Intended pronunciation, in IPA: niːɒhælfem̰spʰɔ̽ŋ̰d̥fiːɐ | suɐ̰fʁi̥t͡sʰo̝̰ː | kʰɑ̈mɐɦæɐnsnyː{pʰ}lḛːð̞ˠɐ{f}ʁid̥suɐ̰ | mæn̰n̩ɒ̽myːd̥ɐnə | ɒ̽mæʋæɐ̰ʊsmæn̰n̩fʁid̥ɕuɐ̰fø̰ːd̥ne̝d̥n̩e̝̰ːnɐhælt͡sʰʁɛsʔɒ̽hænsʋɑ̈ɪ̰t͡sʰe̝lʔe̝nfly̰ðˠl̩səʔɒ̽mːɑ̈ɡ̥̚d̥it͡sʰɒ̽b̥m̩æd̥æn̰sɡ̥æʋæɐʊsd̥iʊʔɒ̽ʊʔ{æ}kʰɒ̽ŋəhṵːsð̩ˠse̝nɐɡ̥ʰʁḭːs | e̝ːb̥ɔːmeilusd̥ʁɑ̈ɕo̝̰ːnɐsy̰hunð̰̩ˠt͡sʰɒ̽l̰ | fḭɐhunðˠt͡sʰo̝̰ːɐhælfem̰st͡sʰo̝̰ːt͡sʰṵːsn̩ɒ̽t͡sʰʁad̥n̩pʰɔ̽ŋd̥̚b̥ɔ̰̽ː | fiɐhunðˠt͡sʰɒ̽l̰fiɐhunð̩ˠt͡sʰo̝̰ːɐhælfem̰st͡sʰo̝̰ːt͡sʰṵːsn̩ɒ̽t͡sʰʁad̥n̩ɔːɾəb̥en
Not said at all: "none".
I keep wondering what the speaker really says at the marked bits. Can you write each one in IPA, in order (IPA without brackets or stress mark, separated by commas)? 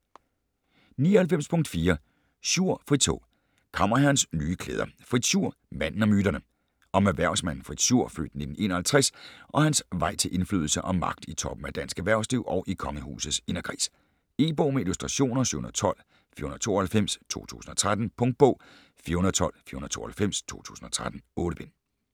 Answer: kʰ, f, i